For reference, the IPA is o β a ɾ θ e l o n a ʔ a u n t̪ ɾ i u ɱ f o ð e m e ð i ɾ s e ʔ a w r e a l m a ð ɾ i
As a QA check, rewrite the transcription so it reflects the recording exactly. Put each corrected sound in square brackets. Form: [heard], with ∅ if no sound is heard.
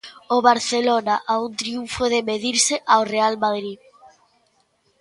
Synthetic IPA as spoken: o β a ɾ θ e l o n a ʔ a u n t̪ ɾ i u ɱ f o ð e m e ð i ɾ s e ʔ a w r e a l m a ð ɾ i

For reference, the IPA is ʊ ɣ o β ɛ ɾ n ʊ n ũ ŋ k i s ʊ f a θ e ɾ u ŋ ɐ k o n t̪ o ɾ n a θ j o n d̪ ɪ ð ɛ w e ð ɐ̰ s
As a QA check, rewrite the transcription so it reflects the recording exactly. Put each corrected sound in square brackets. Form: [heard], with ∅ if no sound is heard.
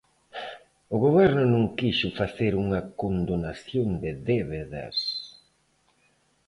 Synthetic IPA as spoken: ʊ ɣ o β ɛ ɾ n ʊ n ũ ŋ k i [ʃ] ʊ f a θ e ɾ u ŋ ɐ k o n [d̪] o [∅] n a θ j o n d̪ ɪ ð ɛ [β] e ð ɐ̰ s

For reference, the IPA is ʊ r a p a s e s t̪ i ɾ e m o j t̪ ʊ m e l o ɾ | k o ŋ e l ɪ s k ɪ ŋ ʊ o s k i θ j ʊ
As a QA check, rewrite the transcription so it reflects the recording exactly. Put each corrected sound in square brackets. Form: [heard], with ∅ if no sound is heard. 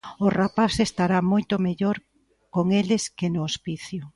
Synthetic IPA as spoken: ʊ r a p a s e s t̪ [a] ɾ [a] m o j t̪ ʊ m e [ʎ] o ɾ | k o ŋ e l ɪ s k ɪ [n] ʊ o s [p] i θ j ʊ

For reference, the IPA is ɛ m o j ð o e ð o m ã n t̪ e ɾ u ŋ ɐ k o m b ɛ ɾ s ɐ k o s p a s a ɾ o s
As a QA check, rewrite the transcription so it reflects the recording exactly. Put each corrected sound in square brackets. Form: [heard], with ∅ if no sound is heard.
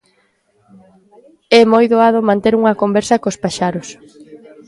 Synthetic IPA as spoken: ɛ m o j ð o [a] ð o m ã n t̪ e ɾ u ŋ ɐ k o m b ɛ ɾ s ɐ k o s p a [ʃ] a ɾ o s

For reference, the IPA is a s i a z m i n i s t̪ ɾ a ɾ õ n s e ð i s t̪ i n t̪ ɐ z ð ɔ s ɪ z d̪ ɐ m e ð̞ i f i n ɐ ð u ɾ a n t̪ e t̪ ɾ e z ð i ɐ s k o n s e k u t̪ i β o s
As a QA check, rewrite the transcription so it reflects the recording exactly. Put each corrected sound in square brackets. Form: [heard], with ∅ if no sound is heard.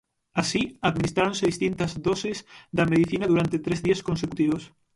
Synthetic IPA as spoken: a s i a [ð] m i n i s t̪ ɾ a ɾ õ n s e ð i s t̪ i n t̪ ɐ z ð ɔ s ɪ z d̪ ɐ m e ð̞ i [θ] i n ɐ ð u ɾ a n t̪ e t̪ ɾ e z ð i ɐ s k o n s e k u t̪ i β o s

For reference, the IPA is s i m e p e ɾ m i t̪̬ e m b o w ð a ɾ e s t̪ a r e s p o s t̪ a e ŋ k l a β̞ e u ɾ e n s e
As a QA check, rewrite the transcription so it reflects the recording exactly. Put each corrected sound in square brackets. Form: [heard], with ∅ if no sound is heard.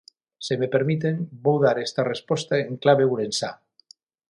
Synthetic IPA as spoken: s [e] m e p e ɾ m i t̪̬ e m b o w ð a ɾ e s t̪ a r e s p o s t̪ a e ŋ k l a β̞ e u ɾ e n s [a]

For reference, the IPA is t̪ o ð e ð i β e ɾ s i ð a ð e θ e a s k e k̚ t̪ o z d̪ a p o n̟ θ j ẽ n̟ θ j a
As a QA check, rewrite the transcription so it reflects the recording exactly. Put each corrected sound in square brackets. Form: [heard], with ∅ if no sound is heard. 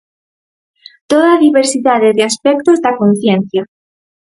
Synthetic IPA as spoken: t̪ o ð [a] ð i β e ɾ s i ð a ð e [ð] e a s [p] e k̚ t̪ o z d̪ a [k] o n̟ θ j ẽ n̟ θ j a

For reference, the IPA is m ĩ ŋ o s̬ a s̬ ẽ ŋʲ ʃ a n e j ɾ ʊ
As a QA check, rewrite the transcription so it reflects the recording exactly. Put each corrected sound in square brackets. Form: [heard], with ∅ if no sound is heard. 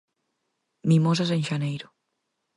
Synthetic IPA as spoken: m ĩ [m] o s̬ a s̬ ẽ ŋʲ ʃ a n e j ɾ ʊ

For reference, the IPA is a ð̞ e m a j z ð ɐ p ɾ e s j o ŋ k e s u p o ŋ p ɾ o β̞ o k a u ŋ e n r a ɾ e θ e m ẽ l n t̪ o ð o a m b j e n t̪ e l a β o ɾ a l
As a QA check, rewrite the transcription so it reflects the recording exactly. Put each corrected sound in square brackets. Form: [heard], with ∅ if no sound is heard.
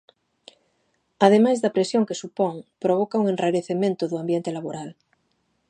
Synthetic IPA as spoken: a ð̞ e m a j z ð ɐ p ɾ e s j o ŋ k e s u p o ŋ p ɾ o β̞ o k a u ŋ e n r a ɾ e θ e m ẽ [∅] n t̪ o ð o a m b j e n t̪ e l a β o ɾ a l

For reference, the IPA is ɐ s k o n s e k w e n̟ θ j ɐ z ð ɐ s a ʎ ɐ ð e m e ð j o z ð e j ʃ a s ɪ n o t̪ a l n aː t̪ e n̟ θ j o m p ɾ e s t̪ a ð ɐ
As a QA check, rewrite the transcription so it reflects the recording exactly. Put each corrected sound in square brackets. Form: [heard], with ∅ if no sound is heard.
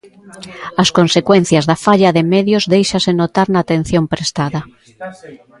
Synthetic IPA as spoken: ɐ s k o n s e k w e n̟ θ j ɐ z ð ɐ [f] a ʎ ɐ ð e m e ð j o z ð e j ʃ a s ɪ n o t̪ a [ɾ] n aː t̪ e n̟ θ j o m p ɾ e s t̪ a ð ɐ

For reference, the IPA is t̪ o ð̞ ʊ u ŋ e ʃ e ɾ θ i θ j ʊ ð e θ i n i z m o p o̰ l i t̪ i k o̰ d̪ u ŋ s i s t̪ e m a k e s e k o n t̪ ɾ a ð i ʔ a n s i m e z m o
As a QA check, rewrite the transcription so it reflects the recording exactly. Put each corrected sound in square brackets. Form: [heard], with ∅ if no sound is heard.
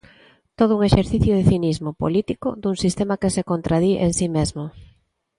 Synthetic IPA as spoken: t̪ o ð̞ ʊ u ŋ e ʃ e ɾ θ i θ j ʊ ð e θ i n i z m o p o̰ l i t̪ i k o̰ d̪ u ŋ s i s t̪ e m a k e s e k o n t̪ ɾ a ð i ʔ [e] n s i m e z m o

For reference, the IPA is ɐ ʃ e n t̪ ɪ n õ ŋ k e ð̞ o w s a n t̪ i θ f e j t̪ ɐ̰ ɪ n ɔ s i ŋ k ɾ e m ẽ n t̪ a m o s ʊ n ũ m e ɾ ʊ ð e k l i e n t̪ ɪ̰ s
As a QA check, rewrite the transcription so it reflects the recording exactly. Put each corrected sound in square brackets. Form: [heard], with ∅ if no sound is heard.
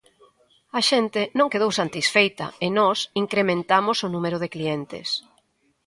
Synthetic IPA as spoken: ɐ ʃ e n t̪ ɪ n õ ŋ k e ð̞ o w s a n t̪ i [s] f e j t̪ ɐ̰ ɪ n ɔ s i ŋ k ɾ e m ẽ n t̪ a m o s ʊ n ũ m e ɾ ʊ ð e k l i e n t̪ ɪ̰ s

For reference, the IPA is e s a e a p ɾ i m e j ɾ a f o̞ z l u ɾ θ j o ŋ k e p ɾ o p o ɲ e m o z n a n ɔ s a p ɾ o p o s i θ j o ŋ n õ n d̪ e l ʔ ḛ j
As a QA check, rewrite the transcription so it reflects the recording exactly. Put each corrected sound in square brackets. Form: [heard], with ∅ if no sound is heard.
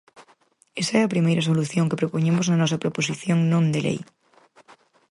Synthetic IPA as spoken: e s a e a p ɾ i m e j ɾ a [s] o̞ [∅] l u [∅] θ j o ŋ k e p ɾ o p o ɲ e m o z n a n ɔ s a p ɾ o p o s i θ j o ŋ n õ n d̪ e l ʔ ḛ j

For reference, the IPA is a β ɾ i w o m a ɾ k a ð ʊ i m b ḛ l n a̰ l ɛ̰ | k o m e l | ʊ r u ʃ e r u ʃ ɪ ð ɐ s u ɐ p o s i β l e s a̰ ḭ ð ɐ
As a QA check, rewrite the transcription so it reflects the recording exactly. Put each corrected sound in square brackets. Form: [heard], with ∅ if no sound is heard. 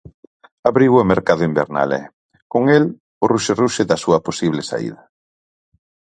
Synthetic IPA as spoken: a β ɾ i w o m [e] ɾ k a ð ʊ i m b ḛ [ɾ] n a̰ l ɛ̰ | k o [ŋ] e l | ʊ r u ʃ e r u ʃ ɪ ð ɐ s u ɐ p o s i β l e s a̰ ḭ ð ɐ

